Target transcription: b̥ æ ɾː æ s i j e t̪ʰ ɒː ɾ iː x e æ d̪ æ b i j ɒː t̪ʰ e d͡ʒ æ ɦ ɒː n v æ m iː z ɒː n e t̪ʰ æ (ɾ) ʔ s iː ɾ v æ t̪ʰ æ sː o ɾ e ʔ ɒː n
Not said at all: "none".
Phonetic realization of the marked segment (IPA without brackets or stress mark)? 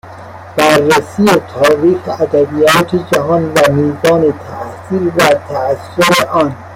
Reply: none